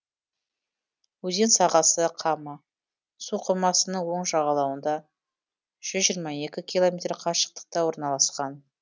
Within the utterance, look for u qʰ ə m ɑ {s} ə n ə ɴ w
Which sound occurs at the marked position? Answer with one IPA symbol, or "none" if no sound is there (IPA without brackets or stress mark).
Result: s